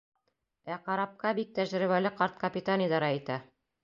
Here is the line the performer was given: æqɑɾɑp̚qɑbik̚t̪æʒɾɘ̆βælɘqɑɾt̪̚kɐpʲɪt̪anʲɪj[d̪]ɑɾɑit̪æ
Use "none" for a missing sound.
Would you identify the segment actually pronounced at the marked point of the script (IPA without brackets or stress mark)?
d̪